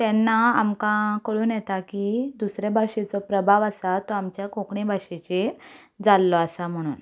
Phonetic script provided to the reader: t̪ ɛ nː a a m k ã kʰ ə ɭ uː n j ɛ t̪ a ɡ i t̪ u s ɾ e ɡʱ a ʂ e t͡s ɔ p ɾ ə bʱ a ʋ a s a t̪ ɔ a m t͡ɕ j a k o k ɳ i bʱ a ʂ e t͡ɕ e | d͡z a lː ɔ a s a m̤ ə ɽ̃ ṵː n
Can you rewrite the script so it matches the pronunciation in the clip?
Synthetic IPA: t̪ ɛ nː a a m k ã k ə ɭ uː n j ɛ t̪ a k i d̪ u s ɾ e bʱ a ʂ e t͡s ɔ p ɾ ə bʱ a ʋ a s a t̪ ɔ a m t͡ɕ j a k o k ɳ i bʱ a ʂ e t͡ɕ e | d͡z a lː ɔ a s a m̤ ə ɽ̃ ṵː n